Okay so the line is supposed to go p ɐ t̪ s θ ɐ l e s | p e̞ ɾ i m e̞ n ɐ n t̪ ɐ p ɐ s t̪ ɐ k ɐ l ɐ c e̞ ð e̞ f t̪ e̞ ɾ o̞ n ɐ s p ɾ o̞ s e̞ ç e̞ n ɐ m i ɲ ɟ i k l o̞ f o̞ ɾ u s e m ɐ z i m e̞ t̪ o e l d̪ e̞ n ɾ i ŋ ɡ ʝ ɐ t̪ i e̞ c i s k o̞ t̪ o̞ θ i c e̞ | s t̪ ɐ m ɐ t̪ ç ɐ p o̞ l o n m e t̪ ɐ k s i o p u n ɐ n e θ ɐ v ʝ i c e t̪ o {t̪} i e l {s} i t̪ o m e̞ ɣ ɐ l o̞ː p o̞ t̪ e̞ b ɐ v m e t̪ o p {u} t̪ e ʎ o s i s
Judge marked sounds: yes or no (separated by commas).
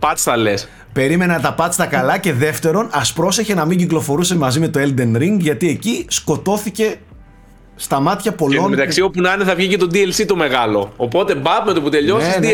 no, yes, yes